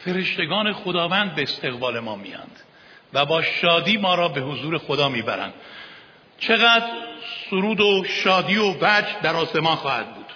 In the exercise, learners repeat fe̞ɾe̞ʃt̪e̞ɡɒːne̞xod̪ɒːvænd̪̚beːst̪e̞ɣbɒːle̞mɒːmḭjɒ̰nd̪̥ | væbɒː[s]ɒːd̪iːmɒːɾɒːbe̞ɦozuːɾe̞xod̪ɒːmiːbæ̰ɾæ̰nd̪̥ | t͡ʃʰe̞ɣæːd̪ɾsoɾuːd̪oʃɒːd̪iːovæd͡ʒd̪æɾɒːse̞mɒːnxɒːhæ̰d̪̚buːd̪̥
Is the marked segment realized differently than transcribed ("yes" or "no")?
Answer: yes